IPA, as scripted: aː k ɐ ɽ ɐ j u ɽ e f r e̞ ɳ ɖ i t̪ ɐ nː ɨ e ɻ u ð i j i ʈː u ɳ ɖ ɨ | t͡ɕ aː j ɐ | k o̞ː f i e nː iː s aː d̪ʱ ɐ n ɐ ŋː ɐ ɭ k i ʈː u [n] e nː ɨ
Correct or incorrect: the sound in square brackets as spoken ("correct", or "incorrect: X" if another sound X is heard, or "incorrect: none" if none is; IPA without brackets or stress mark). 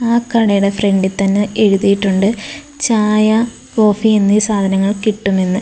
incorrect: m